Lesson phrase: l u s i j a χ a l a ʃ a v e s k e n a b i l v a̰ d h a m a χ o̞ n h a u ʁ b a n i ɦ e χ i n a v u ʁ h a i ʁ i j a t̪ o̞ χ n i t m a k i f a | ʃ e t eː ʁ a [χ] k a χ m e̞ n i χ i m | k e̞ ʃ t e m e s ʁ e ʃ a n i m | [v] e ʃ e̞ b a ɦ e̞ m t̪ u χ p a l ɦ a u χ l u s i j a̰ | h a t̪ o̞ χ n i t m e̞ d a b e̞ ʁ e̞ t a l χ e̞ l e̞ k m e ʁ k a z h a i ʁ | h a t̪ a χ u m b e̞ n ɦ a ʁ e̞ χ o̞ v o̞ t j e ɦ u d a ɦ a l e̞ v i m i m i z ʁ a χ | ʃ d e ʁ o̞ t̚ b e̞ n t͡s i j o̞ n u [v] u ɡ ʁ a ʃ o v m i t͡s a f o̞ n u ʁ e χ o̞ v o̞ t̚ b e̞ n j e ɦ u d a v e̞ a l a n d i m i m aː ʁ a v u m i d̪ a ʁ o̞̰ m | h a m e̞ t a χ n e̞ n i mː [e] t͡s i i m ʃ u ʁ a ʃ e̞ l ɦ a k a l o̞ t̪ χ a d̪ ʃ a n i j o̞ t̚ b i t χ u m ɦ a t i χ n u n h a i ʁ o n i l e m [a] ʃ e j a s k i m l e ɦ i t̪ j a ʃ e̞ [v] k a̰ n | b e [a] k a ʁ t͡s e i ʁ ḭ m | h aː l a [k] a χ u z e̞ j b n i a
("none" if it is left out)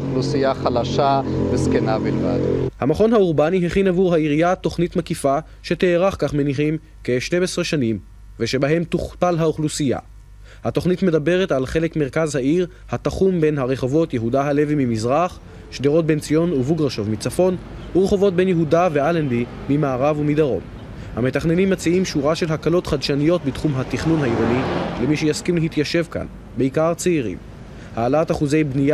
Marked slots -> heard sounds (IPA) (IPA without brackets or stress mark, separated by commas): χ, v, v, a, i, v, i, t